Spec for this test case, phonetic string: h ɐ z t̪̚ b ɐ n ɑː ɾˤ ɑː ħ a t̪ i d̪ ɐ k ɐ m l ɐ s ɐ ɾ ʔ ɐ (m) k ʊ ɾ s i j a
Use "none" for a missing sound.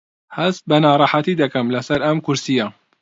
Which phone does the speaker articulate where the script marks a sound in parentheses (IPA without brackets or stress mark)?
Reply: m